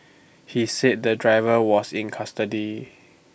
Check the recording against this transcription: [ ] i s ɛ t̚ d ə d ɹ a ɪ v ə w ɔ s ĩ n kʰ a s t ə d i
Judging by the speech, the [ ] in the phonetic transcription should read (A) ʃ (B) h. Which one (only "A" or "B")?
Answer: B